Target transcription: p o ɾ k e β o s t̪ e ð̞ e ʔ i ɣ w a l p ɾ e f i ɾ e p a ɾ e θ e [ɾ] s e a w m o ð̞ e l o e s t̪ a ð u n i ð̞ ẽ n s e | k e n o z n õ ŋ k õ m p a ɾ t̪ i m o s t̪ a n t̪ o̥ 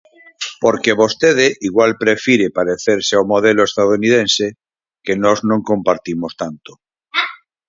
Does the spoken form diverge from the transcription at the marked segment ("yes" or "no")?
no